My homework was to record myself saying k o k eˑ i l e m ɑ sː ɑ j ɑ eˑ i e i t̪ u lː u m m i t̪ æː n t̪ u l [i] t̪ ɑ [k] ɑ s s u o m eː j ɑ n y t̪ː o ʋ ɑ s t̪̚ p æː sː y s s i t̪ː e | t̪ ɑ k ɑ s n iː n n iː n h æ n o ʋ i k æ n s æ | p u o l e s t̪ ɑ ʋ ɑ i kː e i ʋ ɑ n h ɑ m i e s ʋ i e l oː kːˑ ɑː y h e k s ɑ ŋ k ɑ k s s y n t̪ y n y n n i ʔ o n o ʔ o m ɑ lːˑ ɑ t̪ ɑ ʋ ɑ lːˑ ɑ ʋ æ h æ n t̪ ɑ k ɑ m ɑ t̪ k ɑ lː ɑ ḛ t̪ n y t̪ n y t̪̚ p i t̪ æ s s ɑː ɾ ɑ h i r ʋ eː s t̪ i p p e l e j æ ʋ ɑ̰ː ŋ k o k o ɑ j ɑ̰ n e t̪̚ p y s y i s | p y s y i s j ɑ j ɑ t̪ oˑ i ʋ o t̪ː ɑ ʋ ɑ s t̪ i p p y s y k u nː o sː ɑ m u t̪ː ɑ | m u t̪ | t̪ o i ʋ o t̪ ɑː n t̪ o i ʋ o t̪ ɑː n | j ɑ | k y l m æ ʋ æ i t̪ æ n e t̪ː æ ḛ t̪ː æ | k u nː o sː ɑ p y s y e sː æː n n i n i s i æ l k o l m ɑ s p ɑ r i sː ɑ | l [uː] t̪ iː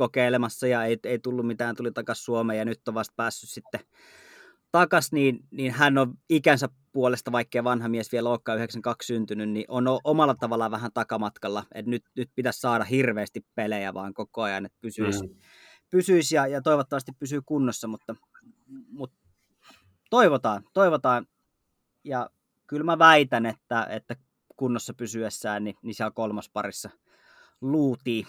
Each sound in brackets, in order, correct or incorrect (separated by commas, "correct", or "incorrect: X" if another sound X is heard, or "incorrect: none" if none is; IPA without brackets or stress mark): correct, correct, correct